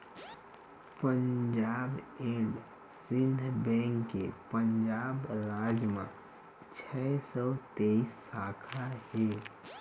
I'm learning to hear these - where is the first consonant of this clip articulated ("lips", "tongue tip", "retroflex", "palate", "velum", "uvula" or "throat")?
lips